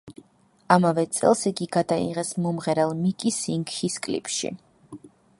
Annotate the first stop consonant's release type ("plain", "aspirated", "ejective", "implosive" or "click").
plain